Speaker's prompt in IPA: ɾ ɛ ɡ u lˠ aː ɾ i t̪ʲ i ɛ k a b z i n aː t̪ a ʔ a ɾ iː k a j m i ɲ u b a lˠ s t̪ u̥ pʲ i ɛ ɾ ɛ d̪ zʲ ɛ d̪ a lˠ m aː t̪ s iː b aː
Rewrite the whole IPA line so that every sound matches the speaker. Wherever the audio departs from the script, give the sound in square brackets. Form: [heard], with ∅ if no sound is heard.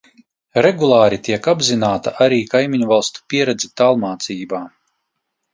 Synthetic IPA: ɾ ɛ ɡ u lˠ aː ɾ i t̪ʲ i ɛ k a b z i n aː t̪ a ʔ a ɾ iː k a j m i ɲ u [v] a lˠ s t̪ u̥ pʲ i ɛ ɾ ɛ d̪ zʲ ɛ [t̪] a lˠ m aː t̪ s iː b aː